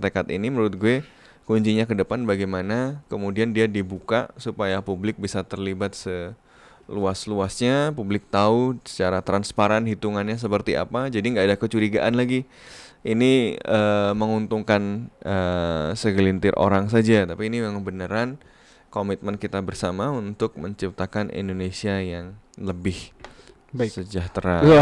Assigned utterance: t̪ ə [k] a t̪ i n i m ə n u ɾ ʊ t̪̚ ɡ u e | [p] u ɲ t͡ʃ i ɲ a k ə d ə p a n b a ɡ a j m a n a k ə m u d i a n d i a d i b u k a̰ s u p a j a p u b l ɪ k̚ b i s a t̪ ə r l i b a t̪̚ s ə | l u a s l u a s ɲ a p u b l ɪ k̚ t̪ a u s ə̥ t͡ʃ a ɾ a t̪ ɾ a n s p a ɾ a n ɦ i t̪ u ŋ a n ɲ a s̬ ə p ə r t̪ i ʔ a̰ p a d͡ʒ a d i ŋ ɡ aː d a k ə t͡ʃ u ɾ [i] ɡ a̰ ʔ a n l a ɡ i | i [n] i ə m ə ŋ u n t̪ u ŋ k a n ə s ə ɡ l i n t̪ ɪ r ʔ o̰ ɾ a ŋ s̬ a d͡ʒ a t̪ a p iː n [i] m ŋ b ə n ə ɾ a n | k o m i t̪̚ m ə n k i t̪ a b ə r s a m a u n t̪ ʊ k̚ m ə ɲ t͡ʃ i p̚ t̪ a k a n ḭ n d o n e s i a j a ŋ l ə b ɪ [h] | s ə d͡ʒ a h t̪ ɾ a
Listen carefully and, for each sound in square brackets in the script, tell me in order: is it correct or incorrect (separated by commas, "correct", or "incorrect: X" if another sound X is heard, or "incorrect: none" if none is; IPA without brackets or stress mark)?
correct, incorrect: k, correct, correct, correct, correct